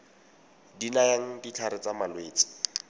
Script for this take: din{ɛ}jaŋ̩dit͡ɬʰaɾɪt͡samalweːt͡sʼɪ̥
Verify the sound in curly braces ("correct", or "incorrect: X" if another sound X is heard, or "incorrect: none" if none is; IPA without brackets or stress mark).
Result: incorrect: a